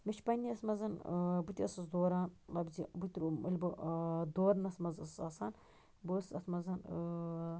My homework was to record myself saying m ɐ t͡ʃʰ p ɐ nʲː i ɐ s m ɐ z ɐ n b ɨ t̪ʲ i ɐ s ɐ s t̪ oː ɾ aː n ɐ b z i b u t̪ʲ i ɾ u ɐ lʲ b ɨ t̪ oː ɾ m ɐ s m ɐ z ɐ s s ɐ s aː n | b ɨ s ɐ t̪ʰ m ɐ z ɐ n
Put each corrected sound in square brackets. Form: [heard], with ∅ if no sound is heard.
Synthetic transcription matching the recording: m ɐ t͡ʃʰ p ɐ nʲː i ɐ s m ɐ z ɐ n b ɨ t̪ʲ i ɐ s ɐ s [d̪] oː ɾ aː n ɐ b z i b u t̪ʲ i ɾ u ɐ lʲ b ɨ [d̪] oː ɾ [n] ɐ s m ɐ z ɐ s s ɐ s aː n | b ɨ s ɐ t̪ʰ m ɐ z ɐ n

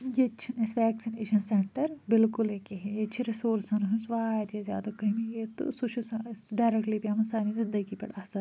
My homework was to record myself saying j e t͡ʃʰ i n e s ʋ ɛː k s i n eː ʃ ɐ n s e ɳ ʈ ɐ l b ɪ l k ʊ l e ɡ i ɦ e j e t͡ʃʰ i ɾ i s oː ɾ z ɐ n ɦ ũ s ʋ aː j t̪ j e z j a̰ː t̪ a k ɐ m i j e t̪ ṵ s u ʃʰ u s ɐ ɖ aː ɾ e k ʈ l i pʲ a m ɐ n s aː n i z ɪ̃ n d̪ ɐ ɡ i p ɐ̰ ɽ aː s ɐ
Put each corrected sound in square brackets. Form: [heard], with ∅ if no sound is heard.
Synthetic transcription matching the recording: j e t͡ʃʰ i n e s ʋ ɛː k s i n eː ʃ ɐ n s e ɳ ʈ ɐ [ɾ] b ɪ l k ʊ l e [k] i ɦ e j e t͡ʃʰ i ɾ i s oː ɾ [s] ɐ n ɦ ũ s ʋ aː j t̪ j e z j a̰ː [d̪] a k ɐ m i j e t̪ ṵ s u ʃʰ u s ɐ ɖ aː ɾ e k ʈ l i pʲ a m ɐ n s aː n i z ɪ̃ n d̪ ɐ ɡ i p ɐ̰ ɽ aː s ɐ

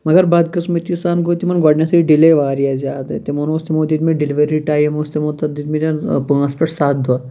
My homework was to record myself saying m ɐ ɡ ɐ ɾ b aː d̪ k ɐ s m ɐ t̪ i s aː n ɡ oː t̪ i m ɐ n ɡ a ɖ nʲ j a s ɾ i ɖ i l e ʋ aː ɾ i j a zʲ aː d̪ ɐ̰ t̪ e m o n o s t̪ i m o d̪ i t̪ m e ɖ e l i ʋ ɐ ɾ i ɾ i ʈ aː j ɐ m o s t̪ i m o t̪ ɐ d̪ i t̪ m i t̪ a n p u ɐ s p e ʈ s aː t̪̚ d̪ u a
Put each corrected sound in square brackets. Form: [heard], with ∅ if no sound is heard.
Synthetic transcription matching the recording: m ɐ ɡ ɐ ɾ b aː d̪ k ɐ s m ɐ t̪ i s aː n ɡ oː t̪ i m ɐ n ɡ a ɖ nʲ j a s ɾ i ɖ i l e ʋ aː ɾ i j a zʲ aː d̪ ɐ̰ t̪ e m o n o s t̪ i m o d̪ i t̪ m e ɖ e l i ʋ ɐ ɾ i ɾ i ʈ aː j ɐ m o s t̪ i m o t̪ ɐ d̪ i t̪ m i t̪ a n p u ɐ s p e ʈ s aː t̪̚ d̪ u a

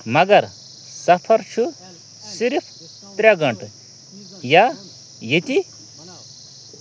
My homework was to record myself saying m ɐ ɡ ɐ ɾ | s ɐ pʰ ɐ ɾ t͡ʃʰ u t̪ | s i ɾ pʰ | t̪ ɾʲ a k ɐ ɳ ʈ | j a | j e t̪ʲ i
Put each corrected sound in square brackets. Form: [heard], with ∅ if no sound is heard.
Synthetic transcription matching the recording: m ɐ ɡ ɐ ɾ | s ɐ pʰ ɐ ɾ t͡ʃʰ u [∅] | s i ɾ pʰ | t̪ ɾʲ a [ɡ] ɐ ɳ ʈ | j a | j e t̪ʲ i

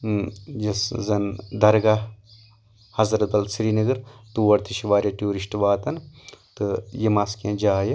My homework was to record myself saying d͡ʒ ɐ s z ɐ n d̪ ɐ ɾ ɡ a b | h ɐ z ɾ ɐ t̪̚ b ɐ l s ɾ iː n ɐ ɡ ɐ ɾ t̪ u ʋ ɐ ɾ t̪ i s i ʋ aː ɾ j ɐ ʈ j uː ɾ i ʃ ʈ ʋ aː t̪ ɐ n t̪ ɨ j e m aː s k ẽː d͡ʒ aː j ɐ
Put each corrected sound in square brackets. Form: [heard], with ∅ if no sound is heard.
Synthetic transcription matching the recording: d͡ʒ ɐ s z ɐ n d̪ ɐ ɾ ɡ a [∅] | h ɐ z ɾ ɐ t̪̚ b ɐ l s ɾ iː n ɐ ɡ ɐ ɾ t̪ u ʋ ɐ ɾ t̪ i [ʃ] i ʋ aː ɾ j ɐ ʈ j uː ɾ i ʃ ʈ ʋ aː t̪ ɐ n t̪ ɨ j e m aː s k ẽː d͡ʒ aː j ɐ

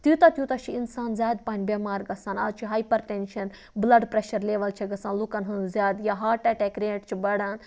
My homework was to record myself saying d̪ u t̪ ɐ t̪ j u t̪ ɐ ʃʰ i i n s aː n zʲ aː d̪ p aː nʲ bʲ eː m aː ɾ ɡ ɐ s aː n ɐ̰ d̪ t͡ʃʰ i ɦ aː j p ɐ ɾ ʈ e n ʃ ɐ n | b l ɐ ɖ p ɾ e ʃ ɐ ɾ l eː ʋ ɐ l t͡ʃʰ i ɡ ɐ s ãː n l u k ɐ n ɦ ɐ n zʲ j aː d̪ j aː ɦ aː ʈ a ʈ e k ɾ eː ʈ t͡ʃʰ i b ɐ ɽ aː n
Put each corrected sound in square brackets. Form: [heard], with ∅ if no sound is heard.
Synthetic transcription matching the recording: [t̪] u t̪ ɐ t̪ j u t̪ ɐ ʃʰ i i n s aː n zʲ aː d̪ p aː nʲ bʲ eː m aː ɾ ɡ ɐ s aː n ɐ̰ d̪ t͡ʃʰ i ɦ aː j p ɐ ɾ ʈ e n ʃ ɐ n | b l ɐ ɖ p ɾ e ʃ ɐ ɾ l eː ʋ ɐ l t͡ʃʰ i ɡ ɐ s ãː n l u k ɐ n ɦ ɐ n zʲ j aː d̪ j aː ɦ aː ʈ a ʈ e k ɾ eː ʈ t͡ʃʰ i b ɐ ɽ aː n

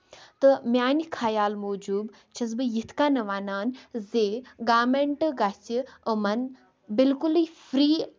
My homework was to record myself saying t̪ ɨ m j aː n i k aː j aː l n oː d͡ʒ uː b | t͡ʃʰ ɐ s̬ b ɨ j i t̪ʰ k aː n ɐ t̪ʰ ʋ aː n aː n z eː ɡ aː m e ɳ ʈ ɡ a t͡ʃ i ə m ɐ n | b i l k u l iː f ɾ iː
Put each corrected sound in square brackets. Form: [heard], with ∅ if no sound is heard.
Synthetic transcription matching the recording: t̪ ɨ m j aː n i [kʰ] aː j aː l [m] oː d͡ʒ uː b | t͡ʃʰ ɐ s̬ b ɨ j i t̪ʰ k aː n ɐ [∅] ʋ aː n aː n z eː ɡ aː m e ɳ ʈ ɡ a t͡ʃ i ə m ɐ n | b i l k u l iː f ɾ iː

